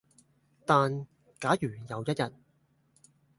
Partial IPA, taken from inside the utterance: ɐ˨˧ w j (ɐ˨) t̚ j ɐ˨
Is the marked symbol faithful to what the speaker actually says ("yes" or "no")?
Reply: no